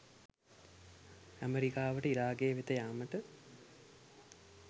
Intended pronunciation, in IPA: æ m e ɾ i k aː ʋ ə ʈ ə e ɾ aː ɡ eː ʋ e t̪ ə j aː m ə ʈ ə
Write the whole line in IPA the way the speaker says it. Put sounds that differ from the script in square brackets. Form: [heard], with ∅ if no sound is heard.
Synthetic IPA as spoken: æ m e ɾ i k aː ʋ ə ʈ ə [i] ɾ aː ɡ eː ʋ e t̪ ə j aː m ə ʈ ə